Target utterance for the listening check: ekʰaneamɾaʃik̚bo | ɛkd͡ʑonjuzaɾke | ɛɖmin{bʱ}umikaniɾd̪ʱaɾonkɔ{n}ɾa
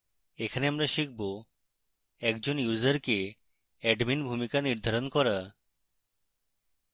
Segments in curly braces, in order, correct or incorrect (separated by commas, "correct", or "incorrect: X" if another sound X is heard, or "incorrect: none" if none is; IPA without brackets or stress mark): correct, incorrect: none